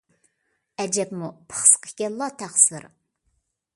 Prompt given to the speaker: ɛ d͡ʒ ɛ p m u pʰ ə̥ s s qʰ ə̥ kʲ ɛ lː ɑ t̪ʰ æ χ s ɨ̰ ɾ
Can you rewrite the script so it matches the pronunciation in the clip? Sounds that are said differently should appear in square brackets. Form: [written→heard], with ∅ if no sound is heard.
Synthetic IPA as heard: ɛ d͡ʒ ɛ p m u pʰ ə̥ [s→χ] s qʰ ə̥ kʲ ɛ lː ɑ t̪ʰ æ χ s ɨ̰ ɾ